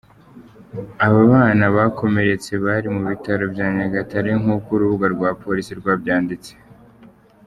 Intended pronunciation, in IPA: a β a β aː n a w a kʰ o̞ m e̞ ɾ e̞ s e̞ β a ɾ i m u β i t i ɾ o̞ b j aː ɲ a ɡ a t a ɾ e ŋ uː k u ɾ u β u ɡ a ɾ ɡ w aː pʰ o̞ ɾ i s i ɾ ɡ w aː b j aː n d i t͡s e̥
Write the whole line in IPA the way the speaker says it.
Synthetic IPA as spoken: a β a β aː n a β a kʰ o̞ m e̞ ɾ e̞ t͡s e̞ β a ɾ i m u β i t a ɾ o̞ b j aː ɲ a ɡ a t a ɾ e ŋ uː k u ɾ u β u ɡ a ɾ ɡ w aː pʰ o̞ ɾ i s i ɾ ɡ w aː b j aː n d i t͡s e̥